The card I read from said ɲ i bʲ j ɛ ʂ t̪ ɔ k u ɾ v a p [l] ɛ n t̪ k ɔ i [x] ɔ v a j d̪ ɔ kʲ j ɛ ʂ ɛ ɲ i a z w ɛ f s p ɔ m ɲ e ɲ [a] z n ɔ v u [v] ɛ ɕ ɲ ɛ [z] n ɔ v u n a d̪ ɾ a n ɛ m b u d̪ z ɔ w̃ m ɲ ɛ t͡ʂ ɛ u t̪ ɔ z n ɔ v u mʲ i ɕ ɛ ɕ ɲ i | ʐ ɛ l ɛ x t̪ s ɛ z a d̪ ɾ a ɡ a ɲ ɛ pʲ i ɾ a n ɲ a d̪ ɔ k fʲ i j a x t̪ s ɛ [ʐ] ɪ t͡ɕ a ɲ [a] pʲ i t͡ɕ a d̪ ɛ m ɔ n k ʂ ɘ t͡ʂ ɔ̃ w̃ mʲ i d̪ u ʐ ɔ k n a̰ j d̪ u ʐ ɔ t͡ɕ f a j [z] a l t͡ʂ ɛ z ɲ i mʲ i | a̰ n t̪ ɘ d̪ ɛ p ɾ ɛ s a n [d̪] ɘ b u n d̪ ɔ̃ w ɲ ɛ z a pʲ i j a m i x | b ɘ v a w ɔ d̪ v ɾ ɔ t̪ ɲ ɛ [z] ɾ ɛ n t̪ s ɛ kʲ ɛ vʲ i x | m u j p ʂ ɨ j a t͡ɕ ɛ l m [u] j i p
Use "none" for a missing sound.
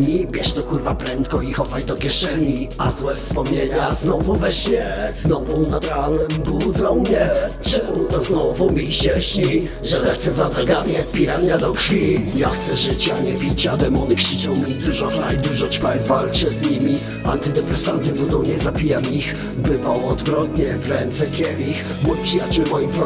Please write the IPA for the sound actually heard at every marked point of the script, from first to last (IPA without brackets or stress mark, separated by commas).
ɾ, x, a, v, z, ʐ, ɛ, v, t̪, v, ɔ